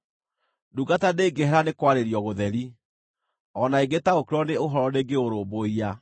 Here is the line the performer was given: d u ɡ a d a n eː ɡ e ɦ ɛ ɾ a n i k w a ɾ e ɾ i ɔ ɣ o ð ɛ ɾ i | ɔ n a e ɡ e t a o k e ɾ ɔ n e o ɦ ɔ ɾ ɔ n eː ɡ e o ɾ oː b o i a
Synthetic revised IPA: d u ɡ a t a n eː ɡ e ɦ ɛ ɾ a n e k w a ɾ e ɾ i ɔ ɣ o ð ɛ ɾ i | ɔ n a e ɡ e t a o k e ɾ ɔ n e o ɦ ɔ ɾ ɔ n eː ɡ e o ɾ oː b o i a